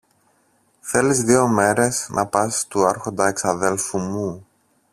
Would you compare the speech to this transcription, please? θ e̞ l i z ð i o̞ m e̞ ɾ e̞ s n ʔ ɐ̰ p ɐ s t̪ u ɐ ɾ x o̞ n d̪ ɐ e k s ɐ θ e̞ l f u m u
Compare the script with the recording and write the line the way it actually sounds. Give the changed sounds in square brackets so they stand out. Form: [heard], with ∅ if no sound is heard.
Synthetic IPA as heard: θ e̞ l i z ð i o̞ m e̞ ɾ e̞ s n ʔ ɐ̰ p ɐ s t̪ u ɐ ɾ x o̞ n d̪ ɐ e k s ɐ [ð] e̞ l f u m u